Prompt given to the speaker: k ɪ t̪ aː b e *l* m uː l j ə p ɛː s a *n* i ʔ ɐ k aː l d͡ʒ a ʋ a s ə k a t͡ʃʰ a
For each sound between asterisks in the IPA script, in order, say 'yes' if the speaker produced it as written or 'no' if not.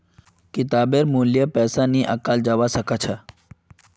no, yes

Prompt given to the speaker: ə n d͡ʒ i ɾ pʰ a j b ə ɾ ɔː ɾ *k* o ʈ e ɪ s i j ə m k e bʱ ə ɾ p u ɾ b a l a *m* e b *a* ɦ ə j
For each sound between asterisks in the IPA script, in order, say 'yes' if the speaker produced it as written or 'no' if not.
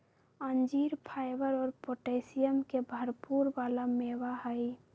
no, yes, yes

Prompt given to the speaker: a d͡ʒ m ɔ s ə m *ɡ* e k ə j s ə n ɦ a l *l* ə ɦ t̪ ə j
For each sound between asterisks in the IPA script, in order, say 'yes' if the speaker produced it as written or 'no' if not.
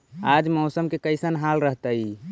no, no

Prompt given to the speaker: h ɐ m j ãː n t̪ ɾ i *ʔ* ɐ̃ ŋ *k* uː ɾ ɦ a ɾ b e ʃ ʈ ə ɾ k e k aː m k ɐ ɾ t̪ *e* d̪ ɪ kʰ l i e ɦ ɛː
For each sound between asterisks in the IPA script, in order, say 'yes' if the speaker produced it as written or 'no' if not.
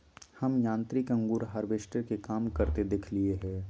no, no, yes

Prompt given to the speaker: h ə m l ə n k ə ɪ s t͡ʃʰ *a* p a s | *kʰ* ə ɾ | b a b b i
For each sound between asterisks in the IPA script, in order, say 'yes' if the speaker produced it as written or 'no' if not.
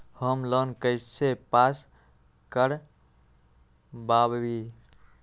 no, no

